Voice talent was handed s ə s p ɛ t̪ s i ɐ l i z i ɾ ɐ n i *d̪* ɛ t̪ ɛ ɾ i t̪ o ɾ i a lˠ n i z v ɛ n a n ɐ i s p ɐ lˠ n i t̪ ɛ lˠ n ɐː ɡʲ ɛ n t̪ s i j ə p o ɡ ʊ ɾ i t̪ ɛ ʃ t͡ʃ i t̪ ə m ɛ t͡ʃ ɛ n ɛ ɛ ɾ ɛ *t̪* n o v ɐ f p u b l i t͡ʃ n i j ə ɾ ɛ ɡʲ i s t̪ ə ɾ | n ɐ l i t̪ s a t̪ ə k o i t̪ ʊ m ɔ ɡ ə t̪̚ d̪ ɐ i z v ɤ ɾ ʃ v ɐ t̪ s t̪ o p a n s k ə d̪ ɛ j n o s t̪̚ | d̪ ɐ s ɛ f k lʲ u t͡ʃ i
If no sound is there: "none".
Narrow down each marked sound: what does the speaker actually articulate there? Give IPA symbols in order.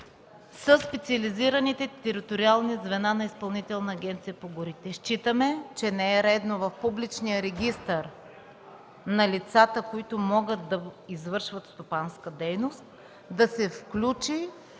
t̪, d̪

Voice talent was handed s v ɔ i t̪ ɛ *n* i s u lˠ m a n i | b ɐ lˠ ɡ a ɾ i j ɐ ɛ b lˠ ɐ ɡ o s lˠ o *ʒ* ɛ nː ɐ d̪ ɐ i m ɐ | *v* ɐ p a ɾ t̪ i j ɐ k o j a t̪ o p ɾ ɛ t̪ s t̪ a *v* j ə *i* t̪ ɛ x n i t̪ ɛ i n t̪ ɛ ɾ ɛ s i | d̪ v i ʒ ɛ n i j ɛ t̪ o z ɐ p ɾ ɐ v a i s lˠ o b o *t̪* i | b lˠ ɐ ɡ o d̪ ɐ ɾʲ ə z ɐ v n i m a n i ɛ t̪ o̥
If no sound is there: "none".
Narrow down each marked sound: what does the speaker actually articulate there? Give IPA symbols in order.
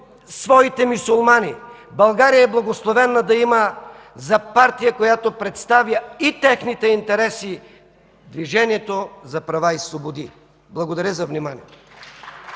m, v, z, v, i, d̪

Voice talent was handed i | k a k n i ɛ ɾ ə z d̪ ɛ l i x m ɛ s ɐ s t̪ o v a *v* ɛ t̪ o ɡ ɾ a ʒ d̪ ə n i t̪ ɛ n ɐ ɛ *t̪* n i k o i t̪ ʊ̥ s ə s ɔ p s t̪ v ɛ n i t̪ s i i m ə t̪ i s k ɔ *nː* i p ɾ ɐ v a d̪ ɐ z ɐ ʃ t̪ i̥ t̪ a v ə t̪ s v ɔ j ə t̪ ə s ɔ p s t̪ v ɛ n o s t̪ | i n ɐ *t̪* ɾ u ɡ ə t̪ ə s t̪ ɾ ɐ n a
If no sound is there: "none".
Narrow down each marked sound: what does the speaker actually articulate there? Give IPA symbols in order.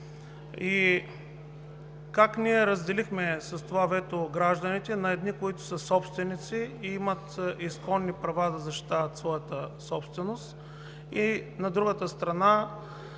v, d̪, nː, d̪

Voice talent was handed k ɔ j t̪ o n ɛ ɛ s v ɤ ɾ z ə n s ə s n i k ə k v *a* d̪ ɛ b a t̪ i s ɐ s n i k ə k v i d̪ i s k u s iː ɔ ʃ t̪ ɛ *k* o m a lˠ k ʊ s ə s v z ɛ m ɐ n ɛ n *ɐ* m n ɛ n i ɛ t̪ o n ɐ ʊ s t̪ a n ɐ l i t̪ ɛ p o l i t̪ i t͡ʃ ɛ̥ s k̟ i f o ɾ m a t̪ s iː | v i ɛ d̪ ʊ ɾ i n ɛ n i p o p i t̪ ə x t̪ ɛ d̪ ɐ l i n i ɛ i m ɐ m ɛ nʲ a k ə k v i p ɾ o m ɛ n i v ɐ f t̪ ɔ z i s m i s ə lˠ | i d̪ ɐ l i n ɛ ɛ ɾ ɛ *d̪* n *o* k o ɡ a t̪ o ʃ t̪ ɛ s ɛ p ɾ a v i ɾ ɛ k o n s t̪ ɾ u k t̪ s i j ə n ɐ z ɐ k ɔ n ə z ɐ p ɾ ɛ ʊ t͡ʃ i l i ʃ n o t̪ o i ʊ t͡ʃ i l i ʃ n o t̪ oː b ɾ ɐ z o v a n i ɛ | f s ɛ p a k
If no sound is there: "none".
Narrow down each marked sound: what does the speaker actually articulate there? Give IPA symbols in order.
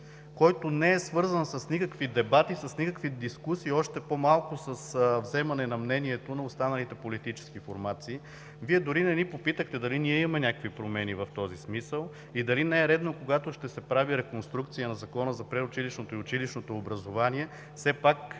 i, p, ɐ, d̪, o

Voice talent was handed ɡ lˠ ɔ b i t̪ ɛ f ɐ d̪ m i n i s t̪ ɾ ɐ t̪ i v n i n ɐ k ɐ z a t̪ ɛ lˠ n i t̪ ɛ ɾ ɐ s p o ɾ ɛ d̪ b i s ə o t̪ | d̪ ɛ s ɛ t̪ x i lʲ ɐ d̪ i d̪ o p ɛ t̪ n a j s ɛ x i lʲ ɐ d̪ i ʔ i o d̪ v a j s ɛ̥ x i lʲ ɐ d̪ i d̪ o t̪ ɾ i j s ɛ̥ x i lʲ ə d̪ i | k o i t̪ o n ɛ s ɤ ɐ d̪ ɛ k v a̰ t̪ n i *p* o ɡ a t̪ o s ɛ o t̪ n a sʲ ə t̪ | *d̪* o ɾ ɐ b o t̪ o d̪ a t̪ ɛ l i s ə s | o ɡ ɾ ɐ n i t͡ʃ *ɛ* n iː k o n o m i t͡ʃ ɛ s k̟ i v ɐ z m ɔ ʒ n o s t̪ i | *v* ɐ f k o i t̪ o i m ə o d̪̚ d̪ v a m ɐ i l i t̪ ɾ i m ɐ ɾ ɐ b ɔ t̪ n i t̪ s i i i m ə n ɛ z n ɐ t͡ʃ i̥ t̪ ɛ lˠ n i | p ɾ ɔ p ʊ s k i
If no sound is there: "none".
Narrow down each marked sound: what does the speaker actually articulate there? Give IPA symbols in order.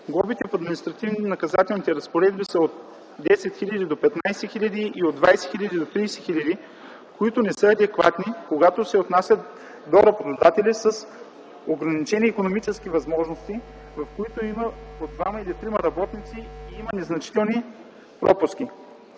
k, d̪, ɛ, v

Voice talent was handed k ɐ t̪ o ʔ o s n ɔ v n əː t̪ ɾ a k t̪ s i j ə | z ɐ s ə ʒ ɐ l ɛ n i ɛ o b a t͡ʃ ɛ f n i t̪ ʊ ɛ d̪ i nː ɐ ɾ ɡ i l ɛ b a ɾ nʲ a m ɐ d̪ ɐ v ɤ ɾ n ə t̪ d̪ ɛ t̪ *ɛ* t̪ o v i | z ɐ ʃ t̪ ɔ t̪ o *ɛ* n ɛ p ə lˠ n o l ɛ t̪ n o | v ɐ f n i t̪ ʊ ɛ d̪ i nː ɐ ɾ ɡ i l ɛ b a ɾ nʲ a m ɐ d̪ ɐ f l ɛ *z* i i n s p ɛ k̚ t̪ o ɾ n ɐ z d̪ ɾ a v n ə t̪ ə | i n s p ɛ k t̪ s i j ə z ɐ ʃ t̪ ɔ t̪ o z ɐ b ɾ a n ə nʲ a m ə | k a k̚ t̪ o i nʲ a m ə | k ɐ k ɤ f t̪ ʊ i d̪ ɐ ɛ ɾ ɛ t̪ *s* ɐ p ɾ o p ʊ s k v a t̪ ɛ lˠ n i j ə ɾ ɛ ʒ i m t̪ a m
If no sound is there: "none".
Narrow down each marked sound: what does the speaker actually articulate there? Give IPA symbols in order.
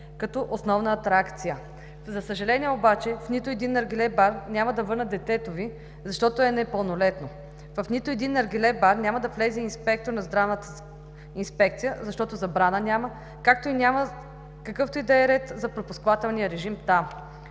ɛ, ɛ, z, z

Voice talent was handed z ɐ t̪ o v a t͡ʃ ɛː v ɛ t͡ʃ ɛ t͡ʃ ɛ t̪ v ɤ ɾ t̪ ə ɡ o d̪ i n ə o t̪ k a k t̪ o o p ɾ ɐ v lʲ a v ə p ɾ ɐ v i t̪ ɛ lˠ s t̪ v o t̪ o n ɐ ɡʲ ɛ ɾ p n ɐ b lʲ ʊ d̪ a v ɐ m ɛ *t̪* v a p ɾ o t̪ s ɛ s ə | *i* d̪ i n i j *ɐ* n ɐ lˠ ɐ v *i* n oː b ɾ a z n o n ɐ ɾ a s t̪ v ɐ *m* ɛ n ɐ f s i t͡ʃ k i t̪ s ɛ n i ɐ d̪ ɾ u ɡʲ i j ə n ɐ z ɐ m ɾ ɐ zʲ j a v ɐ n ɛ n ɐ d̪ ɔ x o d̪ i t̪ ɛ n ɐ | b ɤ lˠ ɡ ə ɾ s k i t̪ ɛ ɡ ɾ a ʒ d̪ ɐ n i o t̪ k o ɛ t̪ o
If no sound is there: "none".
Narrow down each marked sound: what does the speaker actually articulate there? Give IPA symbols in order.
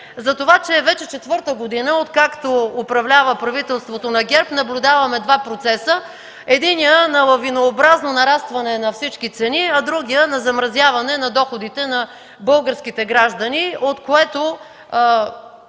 d̪, ɛ, ə, i, n

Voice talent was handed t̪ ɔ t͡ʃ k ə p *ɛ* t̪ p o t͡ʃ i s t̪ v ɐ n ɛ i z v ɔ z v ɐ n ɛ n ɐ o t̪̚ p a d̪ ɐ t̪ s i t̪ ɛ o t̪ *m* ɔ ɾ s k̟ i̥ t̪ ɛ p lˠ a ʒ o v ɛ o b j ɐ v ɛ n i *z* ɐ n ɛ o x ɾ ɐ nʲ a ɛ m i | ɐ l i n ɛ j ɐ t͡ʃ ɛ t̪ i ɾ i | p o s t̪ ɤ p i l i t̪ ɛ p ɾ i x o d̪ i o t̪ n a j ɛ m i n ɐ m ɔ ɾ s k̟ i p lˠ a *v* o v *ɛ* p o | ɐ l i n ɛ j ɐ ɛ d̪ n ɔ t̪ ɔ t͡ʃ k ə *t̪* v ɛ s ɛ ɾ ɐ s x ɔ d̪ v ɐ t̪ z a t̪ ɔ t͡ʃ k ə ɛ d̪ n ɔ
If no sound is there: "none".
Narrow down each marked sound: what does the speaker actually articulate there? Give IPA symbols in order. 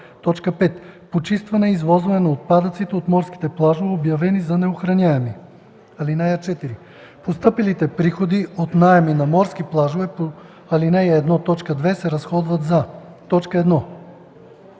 ɛ, m, z, ʒ, ɛ, d̪

